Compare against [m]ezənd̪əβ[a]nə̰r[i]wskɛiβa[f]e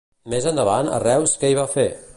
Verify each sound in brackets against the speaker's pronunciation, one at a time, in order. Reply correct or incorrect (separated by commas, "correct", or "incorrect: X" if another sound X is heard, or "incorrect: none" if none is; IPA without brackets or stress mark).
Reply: correct, correct, incorrect: ɛ, correct